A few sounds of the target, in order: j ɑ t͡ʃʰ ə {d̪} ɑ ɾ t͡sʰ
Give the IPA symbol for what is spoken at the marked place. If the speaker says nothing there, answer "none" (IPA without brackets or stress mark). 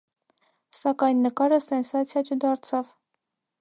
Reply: d̪